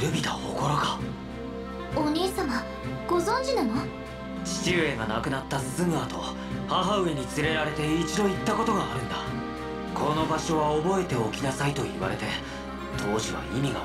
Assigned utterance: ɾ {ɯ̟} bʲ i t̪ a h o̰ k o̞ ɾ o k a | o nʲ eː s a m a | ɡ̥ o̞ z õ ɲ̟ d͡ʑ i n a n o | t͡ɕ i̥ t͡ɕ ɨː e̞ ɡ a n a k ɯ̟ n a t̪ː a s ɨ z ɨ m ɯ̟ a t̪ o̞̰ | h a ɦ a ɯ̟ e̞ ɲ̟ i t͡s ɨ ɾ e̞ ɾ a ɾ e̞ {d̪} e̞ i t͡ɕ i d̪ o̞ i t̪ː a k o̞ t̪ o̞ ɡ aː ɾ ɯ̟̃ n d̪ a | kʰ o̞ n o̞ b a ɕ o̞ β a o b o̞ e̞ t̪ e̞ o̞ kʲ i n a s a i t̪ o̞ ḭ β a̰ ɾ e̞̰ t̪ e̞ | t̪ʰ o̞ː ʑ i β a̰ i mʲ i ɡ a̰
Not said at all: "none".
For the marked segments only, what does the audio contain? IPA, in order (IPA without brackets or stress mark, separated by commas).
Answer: ɯ̟, t̪